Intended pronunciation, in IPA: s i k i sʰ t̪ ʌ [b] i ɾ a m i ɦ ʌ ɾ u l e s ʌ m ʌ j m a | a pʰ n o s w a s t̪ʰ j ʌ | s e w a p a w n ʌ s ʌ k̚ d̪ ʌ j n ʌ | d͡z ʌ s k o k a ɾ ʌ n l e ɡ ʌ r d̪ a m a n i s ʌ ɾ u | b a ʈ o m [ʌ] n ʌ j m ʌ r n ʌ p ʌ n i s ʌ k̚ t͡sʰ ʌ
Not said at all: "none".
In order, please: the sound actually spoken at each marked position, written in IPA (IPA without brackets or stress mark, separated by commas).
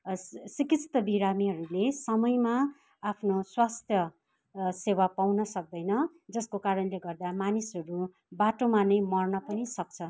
b, a